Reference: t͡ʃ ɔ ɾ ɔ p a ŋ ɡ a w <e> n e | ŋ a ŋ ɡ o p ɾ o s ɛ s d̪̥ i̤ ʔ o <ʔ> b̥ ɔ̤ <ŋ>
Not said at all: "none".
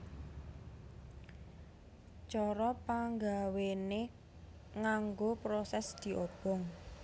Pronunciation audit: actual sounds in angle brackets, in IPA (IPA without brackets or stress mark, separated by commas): e, none, ŋ